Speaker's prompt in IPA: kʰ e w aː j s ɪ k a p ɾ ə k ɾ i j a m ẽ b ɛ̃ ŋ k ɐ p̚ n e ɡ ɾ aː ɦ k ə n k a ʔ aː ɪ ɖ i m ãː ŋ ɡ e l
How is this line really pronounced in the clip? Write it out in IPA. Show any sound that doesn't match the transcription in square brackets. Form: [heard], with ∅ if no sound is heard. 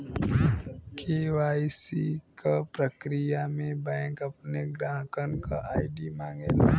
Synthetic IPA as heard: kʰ e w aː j s [i] k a p ɾ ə k ɾ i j a m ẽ b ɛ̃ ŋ k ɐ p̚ n e ɡ ɾ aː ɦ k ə n k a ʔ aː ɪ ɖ i m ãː ŋ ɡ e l